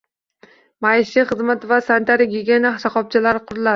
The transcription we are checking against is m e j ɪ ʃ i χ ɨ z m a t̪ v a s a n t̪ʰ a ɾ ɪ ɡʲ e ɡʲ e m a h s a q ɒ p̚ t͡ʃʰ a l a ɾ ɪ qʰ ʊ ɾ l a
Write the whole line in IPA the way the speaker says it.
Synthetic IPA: m a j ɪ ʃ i χ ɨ z m a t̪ v a s a n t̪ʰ a ɾ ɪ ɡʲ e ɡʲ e n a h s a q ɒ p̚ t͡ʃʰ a l a ɾ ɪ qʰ ʊ ɾ l a